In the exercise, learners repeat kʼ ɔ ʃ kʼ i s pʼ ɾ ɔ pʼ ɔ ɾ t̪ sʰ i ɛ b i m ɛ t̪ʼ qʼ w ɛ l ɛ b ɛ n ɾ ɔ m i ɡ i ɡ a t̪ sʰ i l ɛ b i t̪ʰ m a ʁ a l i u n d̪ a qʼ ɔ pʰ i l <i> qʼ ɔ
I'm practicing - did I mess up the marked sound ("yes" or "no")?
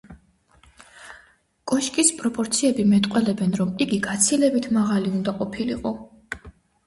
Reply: no